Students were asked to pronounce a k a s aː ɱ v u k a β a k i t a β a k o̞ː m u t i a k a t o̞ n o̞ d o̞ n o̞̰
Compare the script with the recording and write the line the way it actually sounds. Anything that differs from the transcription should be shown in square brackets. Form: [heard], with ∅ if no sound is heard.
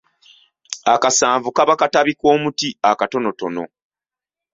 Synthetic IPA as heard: a k a s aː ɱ v u k a β a k [a] t a β [i] k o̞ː m u t i a k a t o̞ n o̞ [t] o̞ n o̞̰